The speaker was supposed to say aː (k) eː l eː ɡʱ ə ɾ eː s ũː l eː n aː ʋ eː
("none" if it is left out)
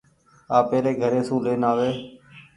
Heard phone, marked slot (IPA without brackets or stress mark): p